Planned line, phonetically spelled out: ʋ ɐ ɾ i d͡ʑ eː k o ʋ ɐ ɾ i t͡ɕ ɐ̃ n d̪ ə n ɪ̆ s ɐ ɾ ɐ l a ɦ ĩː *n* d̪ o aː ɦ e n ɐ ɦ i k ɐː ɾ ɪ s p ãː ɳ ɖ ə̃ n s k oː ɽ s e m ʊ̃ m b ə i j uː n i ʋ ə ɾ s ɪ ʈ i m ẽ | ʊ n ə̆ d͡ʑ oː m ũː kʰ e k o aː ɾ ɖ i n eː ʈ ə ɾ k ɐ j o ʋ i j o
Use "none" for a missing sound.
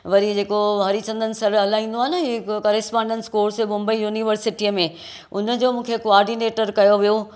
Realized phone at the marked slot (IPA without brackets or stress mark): n